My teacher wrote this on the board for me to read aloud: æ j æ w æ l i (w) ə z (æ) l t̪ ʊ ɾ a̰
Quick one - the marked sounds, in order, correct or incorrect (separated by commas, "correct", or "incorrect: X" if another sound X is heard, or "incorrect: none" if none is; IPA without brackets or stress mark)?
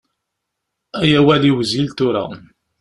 correct, incorrect: i